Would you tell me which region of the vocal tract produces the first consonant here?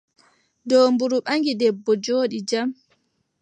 tongue tip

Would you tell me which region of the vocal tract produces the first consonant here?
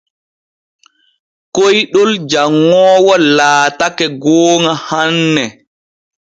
velum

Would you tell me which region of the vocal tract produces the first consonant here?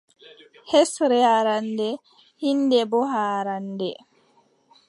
throat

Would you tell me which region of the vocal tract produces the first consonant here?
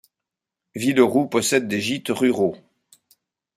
lips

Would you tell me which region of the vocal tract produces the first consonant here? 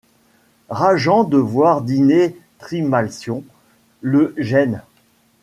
uvula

